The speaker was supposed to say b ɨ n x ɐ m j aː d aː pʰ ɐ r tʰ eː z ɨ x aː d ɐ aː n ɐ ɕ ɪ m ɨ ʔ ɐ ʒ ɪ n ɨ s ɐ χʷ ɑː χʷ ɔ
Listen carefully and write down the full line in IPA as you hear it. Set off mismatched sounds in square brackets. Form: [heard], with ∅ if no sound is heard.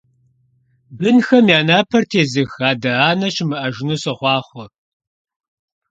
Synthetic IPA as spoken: b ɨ n x ɐ m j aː [n] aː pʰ ɐ r tʰ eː z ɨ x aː d ɐ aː n ɐ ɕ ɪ m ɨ ʔ ɐ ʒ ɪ n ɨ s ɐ χʷ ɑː χʷ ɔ